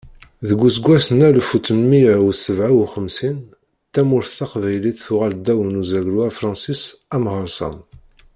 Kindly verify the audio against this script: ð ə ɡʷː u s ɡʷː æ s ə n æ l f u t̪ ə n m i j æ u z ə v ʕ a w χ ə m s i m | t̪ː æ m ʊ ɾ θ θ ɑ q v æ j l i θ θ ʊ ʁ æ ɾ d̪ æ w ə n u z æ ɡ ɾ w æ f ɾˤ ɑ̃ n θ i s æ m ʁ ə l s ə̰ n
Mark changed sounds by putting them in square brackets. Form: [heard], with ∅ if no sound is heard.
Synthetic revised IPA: ð ə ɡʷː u s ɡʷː æ s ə n æ l f u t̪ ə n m i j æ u [s] ə v ʕ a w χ ə m s i [n] | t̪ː æ m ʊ ɾ θ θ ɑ q v æ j l i θ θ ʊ ʁ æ [l] d̪ æ w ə n u z æ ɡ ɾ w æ f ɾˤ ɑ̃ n [s] i s æ m ʁ ə [ɾ] s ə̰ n